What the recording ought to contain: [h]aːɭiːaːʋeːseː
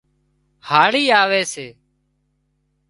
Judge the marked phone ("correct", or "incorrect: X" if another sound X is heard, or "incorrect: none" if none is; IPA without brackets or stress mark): correct